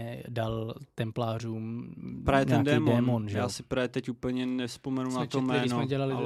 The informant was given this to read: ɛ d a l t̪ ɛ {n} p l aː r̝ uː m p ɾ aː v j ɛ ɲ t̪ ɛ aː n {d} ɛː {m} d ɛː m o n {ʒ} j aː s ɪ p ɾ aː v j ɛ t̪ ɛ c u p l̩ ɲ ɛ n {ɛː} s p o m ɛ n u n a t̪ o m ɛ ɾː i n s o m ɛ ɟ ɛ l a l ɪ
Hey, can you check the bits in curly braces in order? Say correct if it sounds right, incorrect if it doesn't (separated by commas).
incorrect, correct, correct, correct, incorrect